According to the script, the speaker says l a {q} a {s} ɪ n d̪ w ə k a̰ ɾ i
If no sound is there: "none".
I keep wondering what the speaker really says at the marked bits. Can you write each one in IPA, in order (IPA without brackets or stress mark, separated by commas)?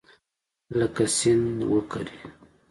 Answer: k, s